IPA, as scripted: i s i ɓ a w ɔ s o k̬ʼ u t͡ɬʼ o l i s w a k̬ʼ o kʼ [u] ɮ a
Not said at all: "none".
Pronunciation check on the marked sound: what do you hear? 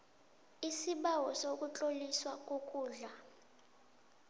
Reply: uː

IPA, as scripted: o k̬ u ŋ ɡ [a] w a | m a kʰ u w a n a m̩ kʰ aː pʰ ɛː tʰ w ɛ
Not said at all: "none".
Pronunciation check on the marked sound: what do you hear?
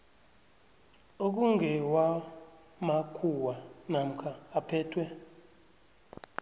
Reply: ɛ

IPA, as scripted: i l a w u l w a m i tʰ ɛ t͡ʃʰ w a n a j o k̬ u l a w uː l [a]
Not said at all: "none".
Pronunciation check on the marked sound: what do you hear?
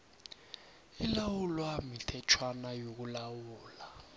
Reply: a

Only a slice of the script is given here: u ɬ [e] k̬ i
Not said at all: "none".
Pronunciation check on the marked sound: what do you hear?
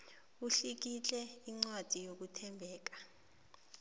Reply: i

